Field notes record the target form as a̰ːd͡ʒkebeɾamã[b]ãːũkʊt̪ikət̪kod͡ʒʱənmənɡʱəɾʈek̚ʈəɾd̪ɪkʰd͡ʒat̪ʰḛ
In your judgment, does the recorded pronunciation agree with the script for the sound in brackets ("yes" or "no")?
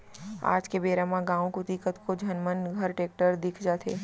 no